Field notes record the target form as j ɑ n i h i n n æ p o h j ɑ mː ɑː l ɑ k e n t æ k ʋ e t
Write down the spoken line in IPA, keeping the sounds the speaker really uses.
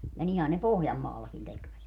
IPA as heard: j ɑ n i h æ n n e p o h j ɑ mː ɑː lː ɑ k i n t e k ʋ æ t